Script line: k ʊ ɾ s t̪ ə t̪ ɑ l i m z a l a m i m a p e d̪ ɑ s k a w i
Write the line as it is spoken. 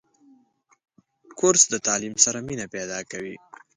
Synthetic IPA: k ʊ ɾ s d̪ ə t̪ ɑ l i m s a ɾ a m i n a p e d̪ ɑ k a w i